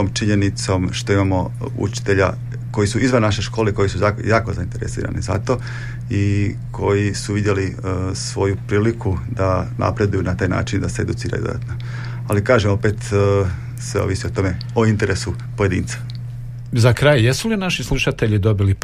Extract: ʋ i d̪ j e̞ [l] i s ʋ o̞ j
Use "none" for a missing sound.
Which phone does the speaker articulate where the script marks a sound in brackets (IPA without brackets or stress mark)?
l